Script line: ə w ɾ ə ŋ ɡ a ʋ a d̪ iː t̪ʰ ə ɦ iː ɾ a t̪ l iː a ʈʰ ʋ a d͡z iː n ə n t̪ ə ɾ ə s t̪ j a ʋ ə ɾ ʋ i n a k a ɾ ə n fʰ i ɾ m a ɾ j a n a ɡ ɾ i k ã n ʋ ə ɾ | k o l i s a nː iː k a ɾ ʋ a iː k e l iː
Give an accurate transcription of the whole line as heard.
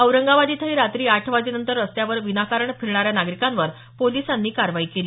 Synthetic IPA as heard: ə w ɾ ə ŋ ɡ a ʋ a d̪ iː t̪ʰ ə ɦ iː ɾ a t̪ ɾ iː a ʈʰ ʋ a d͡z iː n ə n t̪ ə ɾ ə s t̪ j a ʋ ə ɾ ʋ i n a k a ɾ ə ɳ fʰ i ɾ ɳ a ɾ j a n a ɡ ɾ i k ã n ʋ ə ɾ | p o l i s a nː iː k a ɾ ʋ a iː k e l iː